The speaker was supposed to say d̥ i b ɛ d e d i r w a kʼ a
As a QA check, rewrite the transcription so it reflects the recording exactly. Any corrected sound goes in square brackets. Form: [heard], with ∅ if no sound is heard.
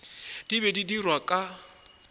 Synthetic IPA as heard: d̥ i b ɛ d [i] d i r w a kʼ a